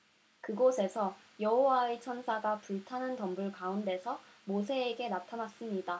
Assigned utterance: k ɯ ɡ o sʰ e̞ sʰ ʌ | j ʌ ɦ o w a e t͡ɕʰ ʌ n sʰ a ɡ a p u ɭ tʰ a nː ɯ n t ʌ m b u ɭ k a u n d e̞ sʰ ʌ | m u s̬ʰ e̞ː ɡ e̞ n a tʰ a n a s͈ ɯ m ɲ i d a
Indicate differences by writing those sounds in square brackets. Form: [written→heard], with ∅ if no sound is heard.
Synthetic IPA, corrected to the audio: k ɯ ɡ o sʰ e̞ sʰ ʌ | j ʌ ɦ o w a e t͡ɕʰ ʌ n sʰ a ɡ a p u ɭ tʰ a [nː→n] ɯ n t ʌ m b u ɭ k a u n d e̞ sʰ ʌ | m [u→o] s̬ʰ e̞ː ɡ e̞ n a tʰ a n a s͈ ɯ m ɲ i d a